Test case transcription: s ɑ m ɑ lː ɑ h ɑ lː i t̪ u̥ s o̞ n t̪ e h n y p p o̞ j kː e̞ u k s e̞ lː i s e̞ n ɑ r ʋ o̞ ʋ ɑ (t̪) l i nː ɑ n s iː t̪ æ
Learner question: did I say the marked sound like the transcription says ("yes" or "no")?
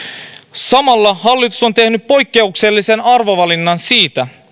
no